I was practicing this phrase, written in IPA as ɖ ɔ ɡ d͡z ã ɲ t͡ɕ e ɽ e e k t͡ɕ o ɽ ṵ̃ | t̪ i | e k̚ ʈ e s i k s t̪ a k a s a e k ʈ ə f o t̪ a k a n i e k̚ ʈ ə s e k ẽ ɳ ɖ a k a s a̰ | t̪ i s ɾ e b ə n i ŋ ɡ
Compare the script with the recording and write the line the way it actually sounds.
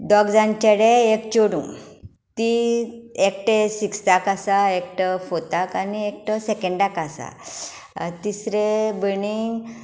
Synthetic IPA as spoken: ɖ ɔ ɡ d͡z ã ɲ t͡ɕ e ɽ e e k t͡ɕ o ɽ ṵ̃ | t̪ i | e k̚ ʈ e s i k s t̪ a k a s a e k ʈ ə f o t̪ a k a n i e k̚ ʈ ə s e k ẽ ɳ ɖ a k a s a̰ | t̪ i s ɾ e b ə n i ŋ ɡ